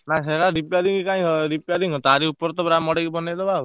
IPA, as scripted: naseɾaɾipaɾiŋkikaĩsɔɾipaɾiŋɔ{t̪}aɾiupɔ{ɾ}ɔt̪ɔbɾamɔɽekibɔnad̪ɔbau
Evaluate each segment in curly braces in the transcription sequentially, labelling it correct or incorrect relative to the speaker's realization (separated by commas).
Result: correct, correct